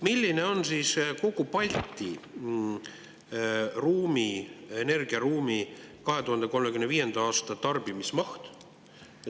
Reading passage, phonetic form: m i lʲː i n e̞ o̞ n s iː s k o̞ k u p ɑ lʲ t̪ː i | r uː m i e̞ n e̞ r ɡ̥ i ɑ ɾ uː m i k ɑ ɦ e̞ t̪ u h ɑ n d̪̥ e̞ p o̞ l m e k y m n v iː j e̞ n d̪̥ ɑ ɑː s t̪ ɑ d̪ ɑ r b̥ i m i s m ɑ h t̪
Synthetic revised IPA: m i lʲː i n e̞ o̞ n s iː s k o̞ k u p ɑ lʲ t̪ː i | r uː m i e̞ n e̞ r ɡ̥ i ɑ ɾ uː m i k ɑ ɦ e̞ t̪ u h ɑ n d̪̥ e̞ k o̞ l m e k y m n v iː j e̞ n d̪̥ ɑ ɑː s t̪ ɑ t̪ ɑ r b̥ i m i s m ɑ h t̪